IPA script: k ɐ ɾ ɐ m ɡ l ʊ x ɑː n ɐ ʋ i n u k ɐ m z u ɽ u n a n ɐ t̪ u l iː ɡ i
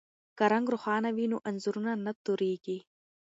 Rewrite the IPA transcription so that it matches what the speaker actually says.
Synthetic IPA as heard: k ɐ ɾ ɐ ŋ ɡ ɾ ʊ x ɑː n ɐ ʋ i n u ʔ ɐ n z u ɾ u n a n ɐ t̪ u ɾ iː ɡ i